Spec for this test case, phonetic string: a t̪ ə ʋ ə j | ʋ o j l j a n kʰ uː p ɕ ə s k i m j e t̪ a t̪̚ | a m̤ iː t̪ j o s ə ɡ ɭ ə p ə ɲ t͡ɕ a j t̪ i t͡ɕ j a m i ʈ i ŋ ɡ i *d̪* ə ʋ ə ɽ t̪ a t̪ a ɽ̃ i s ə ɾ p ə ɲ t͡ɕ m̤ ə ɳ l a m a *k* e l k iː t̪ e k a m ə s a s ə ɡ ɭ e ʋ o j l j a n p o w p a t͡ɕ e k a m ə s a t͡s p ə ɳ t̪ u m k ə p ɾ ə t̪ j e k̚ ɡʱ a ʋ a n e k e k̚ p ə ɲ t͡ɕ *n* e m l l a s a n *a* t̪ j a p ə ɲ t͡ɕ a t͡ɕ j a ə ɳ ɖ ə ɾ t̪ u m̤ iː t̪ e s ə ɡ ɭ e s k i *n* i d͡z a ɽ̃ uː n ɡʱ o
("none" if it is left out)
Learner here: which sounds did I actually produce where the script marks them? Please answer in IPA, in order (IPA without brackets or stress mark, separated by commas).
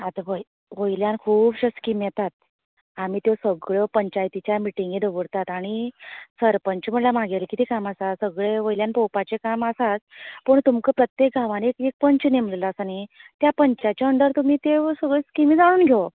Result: d̪, ɡ, n, i, m